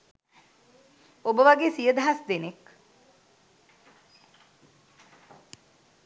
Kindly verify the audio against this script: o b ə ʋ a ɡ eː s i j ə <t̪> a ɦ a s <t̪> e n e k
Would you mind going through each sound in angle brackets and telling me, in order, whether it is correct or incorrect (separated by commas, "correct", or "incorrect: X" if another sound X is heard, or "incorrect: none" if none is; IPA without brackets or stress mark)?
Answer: incorrect: d̪, incorrect: d̪